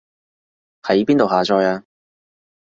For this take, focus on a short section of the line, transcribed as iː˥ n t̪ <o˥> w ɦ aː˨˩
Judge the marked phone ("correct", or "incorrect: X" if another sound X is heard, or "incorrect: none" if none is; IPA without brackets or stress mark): incorrect: o˨